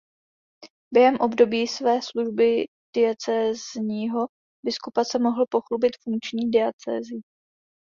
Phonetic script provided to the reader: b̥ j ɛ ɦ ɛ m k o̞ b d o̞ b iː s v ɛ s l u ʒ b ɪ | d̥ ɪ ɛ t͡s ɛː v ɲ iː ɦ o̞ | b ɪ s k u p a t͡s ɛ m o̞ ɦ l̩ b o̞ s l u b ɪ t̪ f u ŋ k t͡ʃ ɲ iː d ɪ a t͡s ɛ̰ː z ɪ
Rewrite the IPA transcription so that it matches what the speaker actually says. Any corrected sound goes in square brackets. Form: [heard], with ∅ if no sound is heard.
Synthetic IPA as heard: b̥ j ɛ ɦ ɛ m [ʔ] o̞ b d o̞ b iː s v [ɛː] s l u ʒ b ɪ | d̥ ɪ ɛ t͡s ɛː [z] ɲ iː ɦ o̞ | b ɪ s k u p a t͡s ɛ m o̞ ɦ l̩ [p] o̞ [x] l u b ɪ t̪ f u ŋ k t͡ʃ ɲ iː d ɪ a t͡s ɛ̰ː z ɪ